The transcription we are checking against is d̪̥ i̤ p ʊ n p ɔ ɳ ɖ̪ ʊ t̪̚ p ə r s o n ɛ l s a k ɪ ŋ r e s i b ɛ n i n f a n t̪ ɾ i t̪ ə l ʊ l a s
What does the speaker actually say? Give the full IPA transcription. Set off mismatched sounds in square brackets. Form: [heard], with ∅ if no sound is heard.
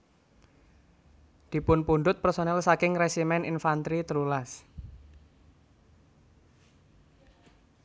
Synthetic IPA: d̪̥ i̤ p ʊ n p [u] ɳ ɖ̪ ʊ t̪̚ p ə r s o n ɛ l s a k ɪ ŋ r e s i [m] ɛ n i n f a n t̪ ɾ i t̪ ə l [u] l a s